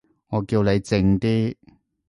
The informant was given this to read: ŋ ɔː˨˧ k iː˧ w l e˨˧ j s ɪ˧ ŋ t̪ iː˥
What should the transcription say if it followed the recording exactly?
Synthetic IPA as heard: ŋ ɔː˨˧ k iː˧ w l e˨˧ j t͡s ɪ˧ ŋ t̪ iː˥